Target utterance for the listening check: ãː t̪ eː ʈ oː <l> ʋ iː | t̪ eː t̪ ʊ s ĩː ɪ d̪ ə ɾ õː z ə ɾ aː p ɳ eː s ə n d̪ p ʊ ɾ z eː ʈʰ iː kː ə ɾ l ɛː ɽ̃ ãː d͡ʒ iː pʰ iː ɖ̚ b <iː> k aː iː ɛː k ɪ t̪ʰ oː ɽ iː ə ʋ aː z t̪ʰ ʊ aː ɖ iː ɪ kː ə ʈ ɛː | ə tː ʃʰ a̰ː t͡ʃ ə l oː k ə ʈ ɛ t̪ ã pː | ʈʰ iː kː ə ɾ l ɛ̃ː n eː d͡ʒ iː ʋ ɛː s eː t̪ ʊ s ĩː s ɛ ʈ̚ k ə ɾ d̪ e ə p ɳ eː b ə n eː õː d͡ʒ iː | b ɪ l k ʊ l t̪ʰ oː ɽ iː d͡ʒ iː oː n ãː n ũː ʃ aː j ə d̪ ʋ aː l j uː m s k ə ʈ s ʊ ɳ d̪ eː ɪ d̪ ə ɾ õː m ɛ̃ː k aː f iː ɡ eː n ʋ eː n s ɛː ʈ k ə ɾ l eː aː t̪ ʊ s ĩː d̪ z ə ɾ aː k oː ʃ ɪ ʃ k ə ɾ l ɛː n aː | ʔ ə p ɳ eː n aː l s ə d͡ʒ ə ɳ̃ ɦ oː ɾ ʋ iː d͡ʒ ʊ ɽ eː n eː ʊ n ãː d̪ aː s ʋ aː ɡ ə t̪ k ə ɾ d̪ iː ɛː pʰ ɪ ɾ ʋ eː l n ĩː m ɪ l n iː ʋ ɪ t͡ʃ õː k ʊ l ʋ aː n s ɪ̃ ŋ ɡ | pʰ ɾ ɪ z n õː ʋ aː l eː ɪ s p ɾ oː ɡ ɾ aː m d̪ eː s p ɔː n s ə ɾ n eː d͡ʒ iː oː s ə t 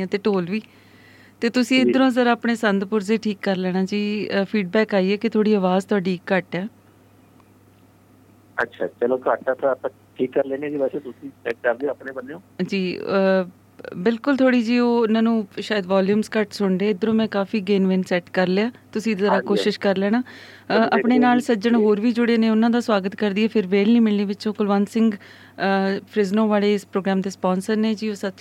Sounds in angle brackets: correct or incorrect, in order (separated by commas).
correct, incorrect